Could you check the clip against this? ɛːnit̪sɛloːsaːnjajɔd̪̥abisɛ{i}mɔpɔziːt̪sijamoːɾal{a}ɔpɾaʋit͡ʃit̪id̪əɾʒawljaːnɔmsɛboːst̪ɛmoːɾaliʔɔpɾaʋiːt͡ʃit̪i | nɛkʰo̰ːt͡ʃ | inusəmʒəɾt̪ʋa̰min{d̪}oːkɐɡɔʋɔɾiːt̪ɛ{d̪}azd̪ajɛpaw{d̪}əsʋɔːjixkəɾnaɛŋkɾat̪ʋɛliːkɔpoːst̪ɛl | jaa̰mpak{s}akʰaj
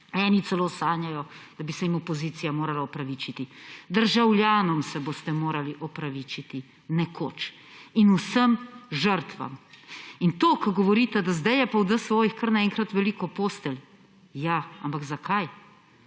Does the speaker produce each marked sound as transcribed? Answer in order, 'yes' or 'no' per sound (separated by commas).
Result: yes, yes, no, yes, yes, no